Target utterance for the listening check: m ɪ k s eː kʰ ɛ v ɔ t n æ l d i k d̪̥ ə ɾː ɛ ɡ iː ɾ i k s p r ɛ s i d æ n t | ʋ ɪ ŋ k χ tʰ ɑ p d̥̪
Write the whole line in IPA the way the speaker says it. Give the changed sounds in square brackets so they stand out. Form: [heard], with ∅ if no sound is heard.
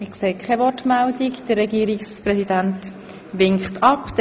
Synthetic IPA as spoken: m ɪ k s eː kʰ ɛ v ɔ t [m] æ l d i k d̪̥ ə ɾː ɛ ɡ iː ɾ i k s p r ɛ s i d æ n t | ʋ ɪ ŋ k χ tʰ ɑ p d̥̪